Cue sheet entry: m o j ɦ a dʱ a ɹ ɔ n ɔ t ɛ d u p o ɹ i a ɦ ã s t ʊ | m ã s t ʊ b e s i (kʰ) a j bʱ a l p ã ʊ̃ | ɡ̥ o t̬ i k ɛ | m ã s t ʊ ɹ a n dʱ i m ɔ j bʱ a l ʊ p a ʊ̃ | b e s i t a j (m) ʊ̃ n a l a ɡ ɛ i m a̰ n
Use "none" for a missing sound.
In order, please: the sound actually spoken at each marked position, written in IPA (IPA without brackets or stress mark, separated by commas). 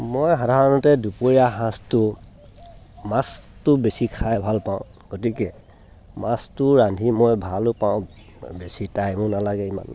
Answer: kʰ, m